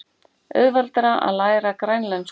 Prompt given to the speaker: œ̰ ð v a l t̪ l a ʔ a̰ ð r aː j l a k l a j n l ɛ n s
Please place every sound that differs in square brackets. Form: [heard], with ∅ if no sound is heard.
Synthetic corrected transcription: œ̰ ð v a l t̪ [ɾ] a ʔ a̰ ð [l] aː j [ɾ] a k [ɾ] a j n l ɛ n s